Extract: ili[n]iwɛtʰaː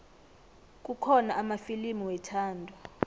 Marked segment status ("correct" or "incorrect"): incorrect